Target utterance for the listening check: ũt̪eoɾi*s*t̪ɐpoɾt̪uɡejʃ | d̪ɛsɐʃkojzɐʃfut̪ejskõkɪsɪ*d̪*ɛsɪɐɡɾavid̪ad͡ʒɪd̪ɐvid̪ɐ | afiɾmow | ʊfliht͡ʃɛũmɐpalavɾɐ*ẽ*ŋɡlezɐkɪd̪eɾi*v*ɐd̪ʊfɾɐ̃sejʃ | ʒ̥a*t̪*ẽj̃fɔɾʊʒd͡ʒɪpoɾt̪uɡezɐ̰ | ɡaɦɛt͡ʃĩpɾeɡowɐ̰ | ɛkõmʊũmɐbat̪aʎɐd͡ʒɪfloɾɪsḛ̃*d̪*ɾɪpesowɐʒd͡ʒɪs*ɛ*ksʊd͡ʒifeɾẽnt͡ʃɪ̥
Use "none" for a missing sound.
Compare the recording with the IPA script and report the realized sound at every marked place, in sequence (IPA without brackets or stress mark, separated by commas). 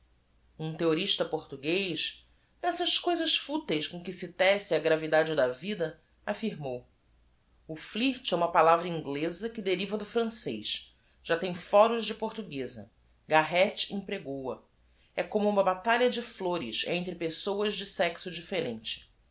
ʃ, t̪, ĩ, v, t̪, t̪, ɛ